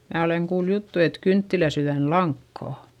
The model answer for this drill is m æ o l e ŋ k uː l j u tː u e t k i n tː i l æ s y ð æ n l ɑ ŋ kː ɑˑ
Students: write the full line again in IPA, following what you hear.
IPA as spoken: m æː o l e ŋ k uː l j u tː u e t k y n tː i l æ s y ð æ n l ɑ ŋ kː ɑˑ